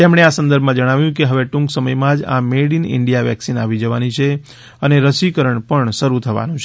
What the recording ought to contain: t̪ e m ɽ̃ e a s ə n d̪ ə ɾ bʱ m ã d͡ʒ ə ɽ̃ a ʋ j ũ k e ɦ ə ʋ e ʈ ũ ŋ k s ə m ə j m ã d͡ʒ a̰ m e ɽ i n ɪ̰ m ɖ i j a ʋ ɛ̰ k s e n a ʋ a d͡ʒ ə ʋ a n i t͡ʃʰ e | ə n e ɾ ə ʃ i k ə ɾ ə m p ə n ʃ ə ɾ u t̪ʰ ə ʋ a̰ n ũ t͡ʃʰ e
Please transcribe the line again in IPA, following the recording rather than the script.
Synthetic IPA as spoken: t̪ e m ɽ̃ e a s ə n d̪ ə ɾ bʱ m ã d͡ʒ ə ɽ̃ a ʋ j ũ k e ɦ ə ʋ e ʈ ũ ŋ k s ə m ə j m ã d͡ʒ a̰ m e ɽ i n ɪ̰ ɳ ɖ i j a ʋ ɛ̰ k s i n a ʋ i d͡ʒ ə ʋ a n i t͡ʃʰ e | ə n e ɾ ə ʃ i k ə ɾ ə ɳ p ə ɳ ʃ ə ɾ u t̪ʰ ə ʋ a̰ n ũ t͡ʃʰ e